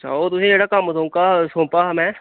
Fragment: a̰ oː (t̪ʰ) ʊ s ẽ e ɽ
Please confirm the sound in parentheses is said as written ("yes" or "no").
no